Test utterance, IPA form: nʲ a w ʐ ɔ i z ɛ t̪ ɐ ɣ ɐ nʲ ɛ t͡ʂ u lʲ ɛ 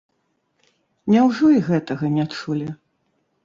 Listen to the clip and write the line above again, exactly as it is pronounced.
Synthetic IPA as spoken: nʲ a w ʐ ɔ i ɣ ɛ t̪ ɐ ɣ ɐ nʲ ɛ t͡ʂ u lʲ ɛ

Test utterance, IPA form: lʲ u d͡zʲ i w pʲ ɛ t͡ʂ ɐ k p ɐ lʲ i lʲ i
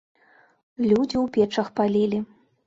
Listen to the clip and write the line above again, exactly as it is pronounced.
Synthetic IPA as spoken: lʲ u d͡zʲ i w pʲ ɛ t͡ʂ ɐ x p a lʲ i lʲ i

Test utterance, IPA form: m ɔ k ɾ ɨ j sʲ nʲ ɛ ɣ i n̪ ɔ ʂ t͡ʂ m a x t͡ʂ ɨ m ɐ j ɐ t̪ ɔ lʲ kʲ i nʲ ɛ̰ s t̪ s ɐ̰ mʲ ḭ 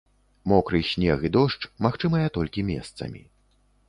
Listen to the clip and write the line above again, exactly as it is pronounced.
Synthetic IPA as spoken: m ɔ k ɾ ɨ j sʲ nʲ ɛ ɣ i d̪ ɔ ʂ t͡ʂ m a x t͡ʂ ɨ m ɐ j ɐ t̪ ɔ lʲ kʲ i mʲ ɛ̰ s t̪ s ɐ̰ mʲ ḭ

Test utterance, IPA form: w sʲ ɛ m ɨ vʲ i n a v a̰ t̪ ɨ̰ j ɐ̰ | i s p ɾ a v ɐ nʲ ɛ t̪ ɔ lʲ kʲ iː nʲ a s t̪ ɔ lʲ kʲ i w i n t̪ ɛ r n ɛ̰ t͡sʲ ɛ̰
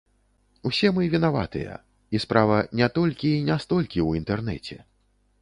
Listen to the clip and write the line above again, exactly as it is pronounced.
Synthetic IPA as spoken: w sʲ ɛ m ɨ vʲ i n a v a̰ t̪ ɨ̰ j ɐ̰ | i s p ɾ a v ɐ nʲ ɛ t̪ ɔ lʲ kʲ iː nʲ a s t̪ ɔ lʲ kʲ i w i n t̪ ɛ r n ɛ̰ t͡sʲ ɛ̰

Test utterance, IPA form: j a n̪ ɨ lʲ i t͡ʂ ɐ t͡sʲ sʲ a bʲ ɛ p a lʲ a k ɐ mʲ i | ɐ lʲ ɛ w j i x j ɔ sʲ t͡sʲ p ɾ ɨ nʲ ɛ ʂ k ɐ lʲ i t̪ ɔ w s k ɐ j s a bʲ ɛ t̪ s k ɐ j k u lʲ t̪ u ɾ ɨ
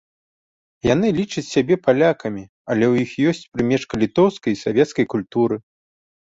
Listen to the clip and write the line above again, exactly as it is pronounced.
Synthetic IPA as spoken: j a n̪ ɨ lʲ i t͡ʂ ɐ t͡sʲ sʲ a bʲ ɛ p a lʲ a k ɐ mʲ i | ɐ lʲ ɛ w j i x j ɔ sʲ t͡sʲ p ɾ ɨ mʲ ɛ ʂ k ɐ lʲ i t̪ ɔ w s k ɐ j s a vʲ ɛ t̪ s k ɐ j k u lʲ t̪ u ɾ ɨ

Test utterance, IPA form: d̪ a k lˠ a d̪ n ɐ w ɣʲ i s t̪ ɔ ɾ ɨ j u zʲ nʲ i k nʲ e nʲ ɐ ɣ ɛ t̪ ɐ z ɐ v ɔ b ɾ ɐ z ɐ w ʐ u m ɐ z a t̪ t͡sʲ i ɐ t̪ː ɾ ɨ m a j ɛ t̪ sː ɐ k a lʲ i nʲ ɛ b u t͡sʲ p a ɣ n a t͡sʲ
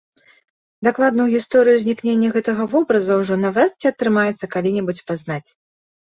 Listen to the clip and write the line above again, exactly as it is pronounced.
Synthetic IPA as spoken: d̪ a k lˠ a d̪ n ɐ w ɣʲ i s t̪ ɔ ɾ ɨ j u zʲ nʲ i k nʲ e nʲː ɐ ɣ ɛ t̪ ɐ ɣ ɐ v ɔ b ɾ ɐ z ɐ w ʐ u n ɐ v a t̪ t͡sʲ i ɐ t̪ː ɾ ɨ m a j ɛ t̪ sː ɐ k a lʲ i nʲ ɛ b u t͡sʲ p a z n a t͡sʲ

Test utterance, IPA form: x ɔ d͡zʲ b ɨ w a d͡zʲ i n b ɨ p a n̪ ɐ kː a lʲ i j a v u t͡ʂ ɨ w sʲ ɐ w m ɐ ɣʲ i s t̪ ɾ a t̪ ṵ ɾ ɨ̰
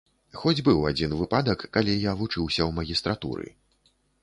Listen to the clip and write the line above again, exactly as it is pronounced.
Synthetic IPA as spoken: x ɔ d͡zʲ b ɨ w a d͡zʲ i n v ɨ p a d̪ ɐ kː a lʲ i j a v u t͡ʂ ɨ w sʲ ɐ w m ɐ ɣʲ i s t̪ ɾ a t̪ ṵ ɾ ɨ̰

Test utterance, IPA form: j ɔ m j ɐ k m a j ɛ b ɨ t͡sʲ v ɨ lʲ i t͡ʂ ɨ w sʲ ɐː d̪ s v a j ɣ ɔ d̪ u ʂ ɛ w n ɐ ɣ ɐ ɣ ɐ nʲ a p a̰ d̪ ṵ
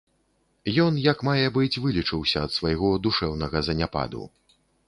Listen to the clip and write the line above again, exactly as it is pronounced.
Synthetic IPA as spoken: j ɔ n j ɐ k m a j ɛ b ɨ t͡sʲ v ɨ lʲ i t͡ʂ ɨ w sʲ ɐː t̪ s v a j ɣ ɔ d̪ u ʂ ɛ w n ɐ ɣ ɐ z ɐ nʲ a p a̰ d̪ ṵ

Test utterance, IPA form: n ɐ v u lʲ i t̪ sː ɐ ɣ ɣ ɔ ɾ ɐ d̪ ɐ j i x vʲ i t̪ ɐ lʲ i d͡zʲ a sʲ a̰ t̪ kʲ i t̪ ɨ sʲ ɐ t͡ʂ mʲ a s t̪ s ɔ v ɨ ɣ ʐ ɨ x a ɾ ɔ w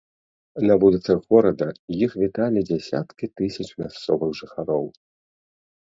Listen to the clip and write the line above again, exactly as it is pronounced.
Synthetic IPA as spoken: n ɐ v u lʲ i t̪ s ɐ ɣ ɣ ɔ ɾ ɐ d̪ ɐ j i x vʲ i t̪ a lʲ i d͡zʲ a sʲ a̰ t̪ kʲ i t̪ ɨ sʲ ɐ t͡ʂ mʲ a s t̪ s ɔ v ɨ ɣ ʐ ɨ x a ɾ ɔ w

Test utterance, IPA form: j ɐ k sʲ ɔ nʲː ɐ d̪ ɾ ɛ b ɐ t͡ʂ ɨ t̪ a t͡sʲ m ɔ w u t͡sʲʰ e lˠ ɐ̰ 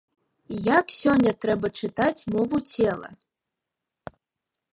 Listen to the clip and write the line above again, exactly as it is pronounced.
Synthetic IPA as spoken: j a k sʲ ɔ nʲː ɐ t̪ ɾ ɛ b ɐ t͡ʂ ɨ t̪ a t͡sʲ m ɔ v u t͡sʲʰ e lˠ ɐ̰

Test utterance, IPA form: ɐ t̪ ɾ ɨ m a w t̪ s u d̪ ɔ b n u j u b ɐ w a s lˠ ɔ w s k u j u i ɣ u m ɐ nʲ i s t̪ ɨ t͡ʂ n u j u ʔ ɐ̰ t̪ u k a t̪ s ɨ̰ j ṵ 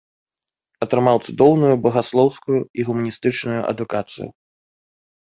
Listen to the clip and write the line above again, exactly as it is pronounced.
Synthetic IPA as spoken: ɐ t̪ ɾ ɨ m a w t̪ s u d̪ ɔ w n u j u b ɐ ɣ a s lˠ ɔ w s k u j u i ɣ u m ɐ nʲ i s t̪ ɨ t͡ʂ n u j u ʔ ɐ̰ d̪ u k a t̪ s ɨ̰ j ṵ

